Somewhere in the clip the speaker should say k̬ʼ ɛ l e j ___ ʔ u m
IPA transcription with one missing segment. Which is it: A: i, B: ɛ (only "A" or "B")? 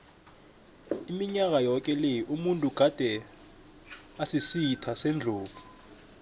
A